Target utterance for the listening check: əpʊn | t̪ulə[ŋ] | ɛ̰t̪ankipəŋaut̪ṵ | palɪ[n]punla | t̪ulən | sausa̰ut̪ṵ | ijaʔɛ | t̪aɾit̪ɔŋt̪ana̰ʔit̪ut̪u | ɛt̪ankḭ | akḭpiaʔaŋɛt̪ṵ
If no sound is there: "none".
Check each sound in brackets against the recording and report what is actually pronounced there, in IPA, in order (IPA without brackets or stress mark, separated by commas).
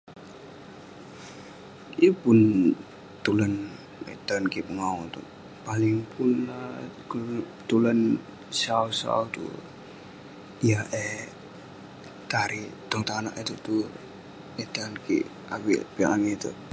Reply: n, ŋ